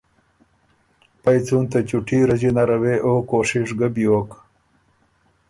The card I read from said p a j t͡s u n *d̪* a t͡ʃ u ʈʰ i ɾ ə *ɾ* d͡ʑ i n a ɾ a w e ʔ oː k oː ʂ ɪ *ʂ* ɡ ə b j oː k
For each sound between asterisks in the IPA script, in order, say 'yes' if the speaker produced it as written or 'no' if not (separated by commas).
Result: no, no, yes